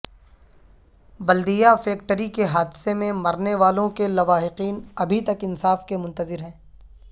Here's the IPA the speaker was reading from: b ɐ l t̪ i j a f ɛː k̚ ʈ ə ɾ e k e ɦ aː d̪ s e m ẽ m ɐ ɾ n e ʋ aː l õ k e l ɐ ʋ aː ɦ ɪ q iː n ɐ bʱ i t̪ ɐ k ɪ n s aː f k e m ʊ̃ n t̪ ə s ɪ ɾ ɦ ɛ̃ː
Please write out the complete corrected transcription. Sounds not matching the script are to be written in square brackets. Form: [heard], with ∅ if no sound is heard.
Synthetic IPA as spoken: b ɐ l [d̪] i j a f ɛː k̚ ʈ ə ɾ [i] k e ɦ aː d̪ s e m ẽ m ɐ ɾ n e ʋ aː l õ k e l ɐ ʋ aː ɦ ɪ q iː n ɐ bʱ i t̪ ɐ k ɪ n s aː f k e m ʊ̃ n t̪ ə [z] ɪ ɾ ɦ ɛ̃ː